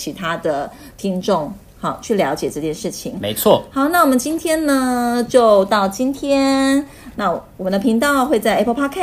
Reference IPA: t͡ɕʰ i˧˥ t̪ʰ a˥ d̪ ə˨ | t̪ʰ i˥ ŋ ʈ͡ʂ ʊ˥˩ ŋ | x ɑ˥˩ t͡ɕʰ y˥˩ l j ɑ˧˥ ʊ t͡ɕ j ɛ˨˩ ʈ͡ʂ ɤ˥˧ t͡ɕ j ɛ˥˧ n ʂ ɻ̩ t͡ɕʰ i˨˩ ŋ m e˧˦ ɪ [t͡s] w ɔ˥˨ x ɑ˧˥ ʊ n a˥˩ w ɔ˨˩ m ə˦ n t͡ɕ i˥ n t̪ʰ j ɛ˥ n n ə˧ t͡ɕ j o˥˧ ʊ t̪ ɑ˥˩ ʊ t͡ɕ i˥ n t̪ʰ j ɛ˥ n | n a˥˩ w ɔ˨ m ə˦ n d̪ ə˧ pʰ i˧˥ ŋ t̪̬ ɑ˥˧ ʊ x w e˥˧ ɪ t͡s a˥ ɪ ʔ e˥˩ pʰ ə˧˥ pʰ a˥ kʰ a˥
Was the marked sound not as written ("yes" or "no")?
yes